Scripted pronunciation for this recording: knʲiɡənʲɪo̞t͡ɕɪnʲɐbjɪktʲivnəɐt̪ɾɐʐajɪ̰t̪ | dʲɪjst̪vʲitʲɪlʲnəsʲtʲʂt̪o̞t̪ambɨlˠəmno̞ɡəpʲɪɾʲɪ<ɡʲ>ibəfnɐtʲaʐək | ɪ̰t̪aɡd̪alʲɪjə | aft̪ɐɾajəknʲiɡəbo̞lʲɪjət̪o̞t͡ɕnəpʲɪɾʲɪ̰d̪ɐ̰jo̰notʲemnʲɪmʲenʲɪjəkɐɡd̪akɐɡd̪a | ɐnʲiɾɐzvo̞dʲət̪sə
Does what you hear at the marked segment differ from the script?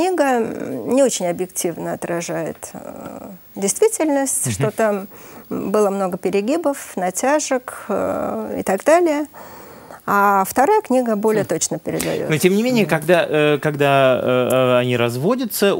no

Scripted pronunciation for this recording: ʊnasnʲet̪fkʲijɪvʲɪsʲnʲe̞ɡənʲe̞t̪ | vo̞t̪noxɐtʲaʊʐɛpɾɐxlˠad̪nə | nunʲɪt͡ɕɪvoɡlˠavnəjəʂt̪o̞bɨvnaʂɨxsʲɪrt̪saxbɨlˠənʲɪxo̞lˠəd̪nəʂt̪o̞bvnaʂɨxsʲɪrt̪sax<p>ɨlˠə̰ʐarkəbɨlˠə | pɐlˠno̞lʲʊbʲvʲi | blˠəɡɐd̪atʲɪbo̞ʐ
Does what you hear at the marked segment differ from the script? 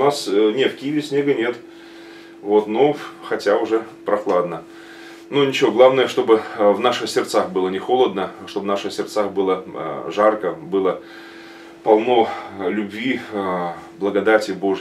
yes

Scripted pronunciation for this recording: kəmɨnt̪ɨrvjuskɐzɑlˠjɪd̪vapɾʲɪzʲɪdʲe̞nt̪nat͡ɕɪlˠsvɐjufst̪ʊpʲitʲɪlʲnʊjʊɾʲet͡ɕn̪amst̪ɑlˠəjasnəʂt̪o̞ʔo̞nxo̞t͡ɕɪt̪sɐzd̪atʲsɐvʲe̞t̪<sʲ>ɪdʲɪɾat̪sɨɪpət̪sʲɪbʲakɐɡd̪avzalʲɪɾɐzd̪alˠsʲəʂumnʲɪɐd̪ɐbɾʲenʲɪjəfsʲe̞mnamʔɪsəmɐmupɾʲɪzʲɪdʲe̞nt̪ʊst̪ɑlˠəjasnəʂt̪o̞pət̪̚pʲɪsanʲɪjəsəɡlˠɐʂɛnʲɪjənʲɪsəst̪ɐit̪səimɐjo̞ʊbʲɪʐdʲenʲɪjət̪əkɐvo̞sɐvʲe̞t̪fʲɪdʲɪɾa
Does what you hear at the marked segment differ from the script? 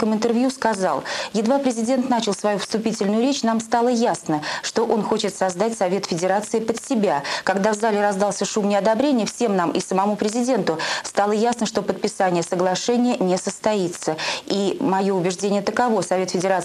yes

